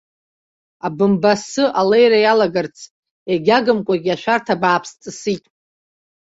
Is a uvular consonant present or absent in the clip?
absent